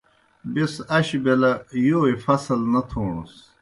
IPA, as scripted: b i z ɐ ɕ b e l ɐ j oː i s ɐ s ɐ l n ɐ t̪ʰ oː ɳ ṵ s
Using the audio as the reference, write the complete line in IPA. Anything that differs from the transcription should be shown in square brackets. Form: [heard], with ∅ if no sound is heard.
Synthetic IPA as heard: b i [s] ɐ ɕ b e l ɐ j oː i [f] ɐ s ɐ l n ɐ t̪ʰ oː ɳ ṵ s